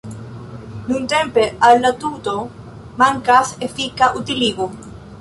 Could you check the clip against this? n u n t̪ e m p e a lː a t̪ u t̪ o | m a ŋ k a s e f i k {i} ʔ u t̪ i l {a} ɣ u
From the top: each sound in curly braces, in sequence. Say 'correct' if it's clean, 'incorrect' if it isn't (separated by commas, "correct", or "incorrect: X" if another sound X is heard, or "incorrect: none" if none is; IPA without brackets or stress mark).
incorrect: a, incorrect: i